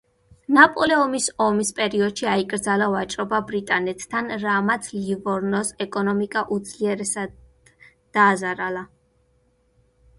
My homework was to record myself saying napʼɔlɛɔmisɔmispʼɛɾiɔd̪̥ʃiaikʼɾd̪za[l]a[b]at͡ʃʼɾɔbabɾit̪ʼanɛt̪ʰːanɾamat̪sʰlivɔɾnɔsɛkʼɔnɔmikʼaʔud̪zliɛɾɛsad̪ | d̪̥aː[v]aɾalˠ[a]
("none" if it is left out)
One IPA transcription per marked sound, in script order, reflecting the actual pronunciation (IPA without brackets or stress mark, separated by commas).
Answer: l, v, z, a